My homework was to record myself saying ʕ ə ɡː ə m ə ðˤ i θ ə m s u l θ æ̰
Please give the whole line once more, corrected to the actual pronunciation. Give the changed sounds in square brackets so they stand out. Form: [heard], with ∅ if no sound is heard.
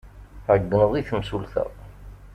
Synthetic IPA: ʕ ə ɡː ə [n] ə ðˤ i θ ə m s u l θ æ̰